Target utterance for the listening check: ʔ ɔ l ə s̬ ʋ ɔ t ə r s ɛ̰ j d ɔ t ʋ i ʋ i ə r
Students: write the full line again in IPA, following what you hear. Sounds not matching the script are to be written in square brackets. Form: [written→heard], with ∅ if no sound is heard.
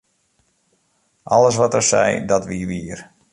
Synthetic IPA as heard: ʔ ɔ l ə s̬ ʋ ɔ t ə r s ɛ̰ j d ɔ t ʋ i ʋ i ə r